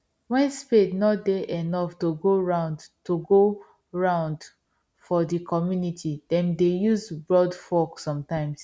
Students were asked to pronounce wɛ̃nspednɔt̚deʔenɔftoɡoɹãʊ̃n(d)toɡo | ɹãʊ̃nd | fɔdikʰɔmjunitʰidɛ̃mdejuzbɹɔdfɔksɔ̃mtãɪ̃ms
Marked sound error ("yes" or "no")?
no